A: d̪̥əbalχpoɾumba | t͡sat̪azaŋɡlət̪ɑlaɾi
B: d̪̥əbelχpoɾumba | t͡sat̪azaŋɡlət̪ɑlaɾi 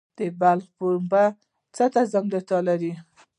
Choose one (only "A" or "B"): A